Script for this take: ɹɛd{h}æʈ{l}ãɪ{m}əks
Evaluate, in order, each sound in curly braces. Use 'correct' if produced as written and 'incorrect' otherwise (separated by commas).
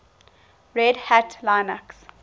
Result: correct, correct, incorrect